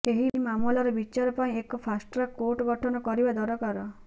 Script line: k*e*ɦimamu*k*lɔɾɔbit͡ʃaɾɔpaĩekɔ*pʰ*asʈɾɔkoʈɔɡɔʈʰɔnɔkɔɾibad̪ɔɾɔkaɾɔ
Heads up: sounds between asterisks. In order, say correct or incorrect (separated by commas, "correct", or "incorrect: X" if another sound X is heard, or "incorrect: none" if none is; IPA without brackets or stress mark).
correct, incorrect: none, correct